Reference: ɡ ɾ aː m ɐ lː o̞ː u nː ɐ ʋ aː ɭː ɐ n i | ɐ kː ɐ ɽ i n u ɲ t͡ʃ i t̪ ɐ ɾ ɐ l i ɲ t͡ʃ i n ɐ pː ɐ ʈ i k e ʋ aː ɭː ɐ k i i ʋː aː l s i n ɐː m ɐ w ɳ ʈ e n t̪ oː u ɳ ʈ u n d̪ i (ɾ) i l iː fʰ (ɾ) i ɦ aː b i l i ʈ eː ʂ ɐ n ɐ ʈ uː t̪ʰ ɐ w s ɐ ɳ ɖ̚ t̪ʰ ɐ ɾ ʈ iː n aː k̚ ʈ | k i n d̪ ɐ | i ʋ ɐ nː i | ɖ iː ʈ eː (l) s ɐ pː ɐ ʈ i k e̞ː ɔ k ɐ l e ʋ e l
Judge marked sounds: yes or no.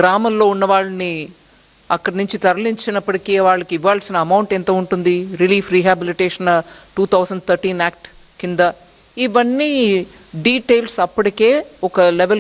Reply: yes, yes, yes

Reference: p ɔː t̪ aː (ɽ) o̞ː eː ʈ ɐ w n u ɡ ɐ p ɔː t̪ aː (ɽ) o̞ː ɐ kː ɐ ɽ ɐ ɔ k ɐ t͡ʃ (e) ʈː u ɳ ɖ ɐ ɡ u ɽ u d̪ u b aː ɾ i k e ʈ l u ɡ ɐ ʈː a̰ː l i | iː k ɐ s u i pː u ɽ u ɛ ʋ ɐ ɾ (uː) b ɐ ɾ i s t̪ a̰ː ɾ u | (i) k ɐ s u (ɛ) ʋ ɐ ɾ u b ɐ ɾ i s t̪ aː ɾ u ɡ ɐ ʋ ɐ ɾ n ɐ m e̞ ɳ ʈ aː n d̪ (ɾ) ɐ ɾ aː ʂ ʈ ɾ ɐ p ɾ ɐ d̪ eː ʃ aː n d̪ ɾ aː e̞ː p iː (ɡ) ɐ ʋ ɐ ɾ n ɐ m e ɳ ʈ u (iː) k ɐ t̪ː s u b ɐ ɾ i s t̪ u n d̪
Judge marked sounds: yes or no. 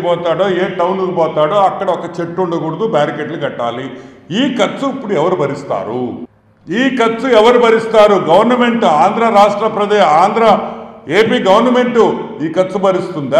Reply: yes, yes, yes, no, no, yes, yes, yes, yes

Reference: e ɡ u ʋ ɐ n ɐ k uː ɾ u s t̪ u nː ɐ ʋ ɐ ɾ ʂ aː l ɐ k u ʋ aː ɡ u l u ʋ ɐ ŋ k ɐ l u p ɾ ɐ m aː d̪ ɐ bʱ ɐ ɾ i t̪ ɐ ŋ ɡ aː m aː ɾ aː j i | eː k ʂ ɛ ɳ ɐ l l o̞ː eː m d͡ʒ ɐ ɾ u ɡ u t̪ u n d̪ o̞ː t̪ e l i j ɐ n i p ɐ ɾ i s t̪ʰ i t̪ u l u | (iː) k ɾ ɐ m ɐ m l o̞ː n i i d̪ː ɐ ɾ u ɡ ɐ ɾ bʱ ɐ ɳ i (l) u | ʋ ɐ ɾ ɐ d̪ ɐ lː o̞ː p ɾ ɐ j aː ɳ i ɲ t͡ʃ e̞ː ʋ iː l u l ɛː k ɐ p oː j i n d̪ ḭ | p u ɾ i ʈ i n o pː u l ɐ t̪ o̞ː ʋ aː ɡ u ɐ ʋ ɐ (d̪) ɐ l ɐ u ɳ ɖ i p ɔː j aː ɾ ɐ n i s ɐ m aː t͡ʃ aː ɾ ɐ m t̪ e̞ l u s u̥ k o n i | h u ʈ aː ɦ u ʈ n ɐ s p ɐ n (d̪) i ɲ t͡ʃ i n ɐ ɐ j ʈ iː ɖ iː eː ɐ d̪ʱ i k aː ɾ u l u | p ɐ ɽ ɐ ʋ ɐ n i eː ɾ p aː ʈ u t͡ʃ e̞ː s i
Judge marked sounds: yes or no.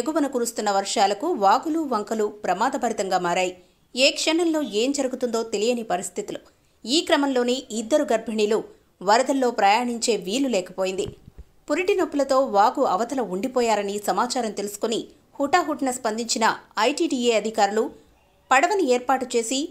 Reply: yes, yes, no, yes

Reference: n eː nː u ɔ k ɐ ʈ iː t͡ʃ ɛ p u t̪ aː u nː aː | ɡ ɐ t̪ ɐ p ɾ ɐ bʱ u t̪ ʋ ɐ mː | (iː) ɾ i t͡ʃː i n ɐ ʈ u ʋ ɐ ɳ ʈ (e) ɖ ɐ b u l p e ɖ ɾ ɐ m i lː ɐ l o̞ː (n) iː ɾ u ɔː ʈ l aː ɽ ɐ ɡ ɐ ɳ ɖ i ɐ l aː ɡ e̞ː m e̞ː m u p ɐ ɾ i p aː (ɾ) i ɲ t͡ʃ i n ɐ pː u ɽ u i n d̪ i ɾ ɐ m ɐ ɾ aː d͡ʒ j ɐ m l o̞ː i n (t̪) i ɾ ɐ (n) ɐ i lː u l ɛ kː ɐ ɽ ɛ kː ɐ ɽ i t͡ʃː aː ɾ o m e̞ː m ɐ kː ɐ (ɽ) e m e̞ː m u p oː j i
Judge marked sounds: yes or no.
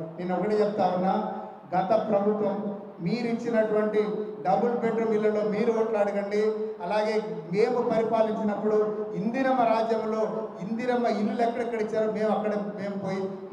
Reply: yes, no, no, no, no, no, yes

